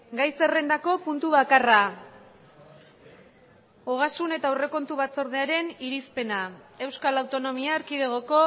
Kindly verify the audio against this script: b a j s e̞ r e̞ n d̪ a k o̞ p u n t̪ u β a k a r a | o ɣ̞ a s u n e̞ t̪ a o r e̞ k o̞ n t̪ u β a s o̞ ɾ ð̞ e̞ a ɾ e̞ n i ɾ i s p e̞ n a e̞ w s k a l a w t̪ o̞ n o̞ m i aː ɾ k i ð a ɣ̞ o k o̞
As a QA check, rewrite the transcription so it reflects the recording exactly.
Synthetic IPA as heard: ɡ a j s e̞ r e̞ n d̪ a k o̞ p u n t̪ u β a k a r a | o ɣ̞ a s u n e̞ t̪ a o r e̞ k o̞ n t̪ u β a t͡s o̞ ɾ ð̞ e̞ a ɾ e̞ n i ɾ i s p e̞ n a e̞ w s k a l a w t̪ o̞ n o̞ m i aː ɾ k i ð e ɣ̞ o k o̞